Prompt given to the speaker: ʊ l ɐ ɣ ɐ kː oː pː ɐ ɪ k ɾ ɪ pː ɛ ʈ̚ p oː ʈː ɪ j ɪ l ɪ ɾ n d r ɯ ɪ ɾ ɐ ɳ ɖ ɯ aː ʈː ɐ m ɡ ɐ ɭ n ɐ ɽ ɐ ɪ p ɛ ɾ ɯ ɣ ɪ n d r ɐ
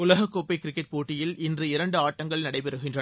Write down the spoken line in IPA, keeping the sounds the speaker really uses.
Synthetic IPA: ʊ l ɐ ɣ ɐ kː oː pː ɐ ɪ k ɾ ɪ kː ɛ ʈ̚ p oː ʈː ɪ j ɪ l ɪ n d r ɯ ɪ ɾ ɐ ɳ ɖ ɯ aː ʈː ɐ ŋ ɡ ɐ ɭ n ɐ ɽ ɐ ɪ p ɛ ɾ ɯ ɣ ɪ n d r ɐ